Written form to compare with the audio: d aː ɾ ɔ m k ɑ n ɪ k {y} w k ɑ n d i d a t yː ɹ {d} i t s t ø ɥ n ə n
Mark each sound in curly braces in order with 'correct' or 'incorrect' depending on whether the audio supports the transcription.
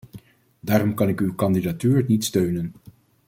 correct, incorrect: n

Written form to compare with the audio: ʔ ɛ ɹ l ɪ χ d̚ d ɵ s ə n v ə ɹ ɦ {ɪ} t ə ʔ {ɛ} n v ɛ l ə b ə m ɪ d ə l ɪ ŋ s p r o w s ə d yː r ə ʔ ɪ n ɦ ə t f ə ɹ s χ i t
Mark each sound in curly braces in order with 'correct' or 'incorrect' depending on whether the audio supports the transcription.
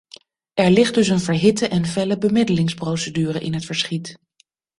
correct, correct

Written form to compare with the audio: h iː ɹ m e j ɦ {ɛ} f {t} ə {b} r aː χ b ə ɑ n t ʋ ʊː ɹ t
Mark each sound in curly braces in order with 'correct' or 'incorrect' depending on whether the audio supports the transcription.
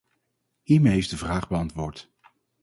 incorrect: e, incorrect: d, incorrect: v

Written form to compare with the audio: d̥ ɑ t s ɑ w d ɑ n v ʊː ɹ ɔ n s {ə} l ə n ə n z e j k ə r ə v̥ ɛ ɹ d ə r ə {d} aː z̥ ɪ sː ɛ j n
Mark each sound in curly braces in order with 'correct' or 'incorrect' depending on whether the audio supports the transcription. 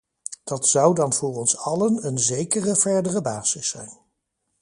incorrect: ɑ, incorrect: b

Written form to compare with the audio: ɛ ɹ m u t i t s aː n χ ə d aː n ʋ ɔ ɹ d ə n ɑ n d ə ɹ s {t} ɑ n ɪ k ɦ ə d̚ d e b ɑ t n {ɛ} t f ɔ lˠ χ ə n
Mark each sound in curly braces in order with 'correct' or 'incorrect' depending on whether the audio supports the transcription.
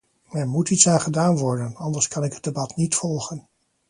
incorrect: k, incorrect: i

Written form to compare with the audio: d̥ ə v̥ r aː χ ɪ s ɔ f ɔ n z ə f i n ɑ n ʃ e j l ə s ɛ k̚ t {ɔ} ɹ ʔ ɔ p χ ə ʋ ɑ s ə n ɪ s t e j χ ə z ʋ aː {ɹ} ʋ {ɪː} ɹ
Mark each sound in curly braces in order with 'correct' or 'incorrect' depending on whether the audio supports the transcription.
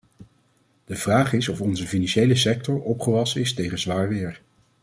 correct, correct, correct

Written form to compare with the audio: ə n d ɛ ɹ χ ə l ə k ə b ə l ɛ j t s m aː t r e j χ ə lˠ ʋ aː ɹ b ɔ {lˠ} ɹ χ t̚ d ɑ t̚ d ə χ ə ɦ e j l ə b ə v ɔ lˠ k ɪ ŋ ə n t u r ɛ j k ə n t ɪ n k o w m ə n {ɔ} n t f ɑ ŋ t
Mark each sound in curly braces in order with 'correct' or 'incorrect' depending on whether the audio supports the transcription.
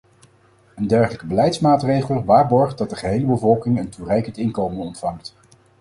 incorrect: none, correct

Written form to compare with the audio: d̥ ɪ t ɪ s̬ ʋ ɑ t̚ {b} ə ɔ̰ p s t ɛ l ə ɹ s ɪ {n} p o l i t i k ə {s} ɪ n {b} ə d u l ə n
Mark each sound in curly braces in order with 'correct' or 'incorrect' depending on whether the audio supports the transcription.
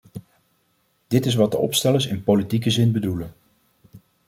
incorrect: d, correct, incorrect: z, correct

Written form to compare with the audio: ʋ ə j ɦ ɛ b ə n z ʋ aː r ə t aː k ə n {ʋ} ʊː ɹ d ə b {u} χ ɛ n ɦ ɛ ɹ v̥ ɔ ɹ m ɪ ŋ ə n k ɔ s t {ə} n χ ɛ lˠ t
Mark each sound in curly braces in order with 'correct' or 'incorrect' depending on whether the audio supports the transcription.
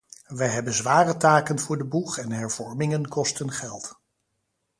incorrect: v, correct, correct

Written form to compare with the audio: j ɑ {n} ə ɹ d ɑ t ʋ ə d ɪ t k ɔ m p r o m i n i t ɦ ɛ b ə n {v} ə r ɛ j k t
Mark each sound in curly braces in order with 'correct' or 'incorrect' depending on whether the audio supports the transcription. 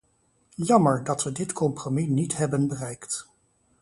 incorrect: m, incorrect: b

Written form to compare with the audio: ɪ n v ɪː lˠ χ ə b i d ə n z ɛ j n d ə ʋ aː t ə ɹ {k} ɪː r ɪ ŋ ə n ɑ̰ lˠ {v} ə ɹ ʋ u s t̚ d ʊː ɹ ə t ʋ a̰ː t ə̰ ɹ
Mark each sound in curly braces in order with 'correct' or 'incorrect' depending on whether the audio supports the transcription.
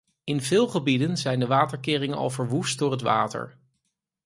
correct, correct

